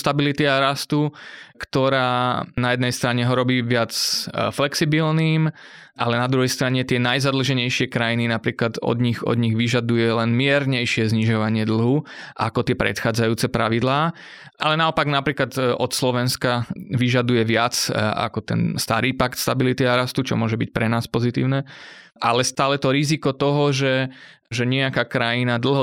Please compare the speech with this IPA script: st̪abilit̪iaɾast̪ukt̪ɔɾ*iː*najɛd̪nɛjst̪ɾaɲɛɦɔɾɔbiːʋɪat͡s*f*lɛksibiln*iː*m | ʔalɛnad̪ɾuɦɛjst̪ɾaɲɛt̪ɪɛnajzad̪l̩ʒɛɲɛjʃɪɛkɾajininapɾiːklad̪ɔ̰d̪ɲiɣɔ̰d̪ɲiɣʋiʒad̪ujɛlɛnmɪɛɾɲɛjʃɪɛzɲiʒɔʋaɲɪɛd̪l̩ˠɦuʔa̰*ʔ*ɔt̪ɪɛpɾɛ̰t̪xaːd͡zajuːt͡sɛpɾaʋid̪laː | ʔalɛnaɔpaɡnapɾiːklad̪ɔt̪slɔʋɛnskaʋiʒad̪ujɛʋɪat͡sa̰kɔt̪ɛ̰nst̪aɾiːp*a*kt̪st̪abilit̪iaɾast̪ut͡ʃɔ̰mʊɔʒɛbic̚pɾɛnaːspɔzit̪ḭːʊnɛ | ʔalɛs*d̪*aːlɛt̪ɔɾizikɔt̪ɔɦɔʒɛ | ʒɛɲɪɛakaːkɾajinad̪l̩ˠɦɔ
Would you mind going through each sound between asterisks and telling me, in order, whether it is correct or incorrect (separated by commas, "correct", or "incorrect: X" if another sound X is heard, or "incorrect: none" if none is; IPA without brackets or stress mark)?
incorrect: aː, correct, correct, incorrect: k, correct, incorrect: t̪